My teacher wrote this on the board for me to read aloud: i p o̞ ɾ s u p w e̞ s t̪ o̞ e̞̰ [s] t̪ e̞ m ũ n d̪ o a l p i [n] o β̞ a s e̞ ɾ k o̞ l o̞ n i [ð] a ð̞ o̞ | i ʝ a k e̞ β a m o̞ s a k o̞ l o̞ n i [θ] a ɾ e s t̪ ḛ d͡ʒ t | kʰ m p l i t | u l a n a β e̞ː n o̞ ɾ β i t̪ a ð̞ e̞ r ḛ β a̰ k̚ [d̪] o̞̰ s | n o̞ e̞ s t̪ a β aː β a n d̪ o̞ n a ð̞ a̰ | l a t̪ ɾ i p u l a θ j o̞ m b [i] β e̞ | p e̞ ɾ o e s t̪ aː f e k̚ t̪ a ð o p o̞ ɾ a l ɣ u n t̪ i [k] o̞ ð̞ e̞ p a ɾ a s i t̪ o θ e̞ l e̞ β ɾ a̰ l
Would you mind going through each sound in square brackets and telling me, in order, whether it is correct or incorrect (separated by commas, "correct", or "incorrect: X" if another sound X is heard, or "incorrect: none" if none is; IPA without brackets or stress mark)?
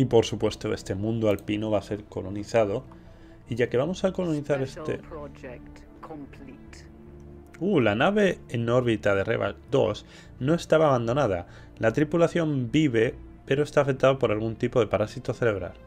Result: correct, correct, incorrect: θ, correct, correct, correct, incorrect: p